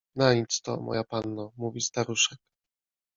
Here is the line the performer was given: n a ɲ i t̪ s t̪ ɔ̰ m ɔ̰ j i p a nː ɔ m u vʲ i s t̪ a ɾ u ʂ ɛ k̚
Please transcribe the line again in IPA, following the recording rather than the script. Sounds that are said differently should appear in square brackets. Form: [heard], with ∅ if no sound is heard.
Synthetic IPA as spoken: n a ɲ i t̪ s t̪ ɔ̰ m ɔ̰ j [a] p a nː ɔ m u vʲ i s t̪ a ɾ u ʂ ɛ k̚